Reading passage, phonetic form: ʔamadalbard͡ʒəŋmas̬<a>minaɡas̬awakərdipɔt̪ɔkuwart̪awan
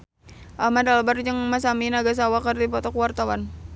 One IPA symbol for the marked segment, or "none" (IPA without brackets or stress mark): a